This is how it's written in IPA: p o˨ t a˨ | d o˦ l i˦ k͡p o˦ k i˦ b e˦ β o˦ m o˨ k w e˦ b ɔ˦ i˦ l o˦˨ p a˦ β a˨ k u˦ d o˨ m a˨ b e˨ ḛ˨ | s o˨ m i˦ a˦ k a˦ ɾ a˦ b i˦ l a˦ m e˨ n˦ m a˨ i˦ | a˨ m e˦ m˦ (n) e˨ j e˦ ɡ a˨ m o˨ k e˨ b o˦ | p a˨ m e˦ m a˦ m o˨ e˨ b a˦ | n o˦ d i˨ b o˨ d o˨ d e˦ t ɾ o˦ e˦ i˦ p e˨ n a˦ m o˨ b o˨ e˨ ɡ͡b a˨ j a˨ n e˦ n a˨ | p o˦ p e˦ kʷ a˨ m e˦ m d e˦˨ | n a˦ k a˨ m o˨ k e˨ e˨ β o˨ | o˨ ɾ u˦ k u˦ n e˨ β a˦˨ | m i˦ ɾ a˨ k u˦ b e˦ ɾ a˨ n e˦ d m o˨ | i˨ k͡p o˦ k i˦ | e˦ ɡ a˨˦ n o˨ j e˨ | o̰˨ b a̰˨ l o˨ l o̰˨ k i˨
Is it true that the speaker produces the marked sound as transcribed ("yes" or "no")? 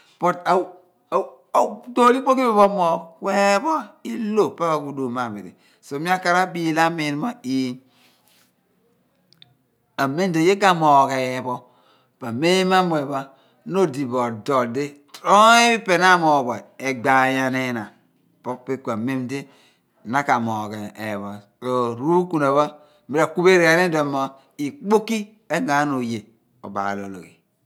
no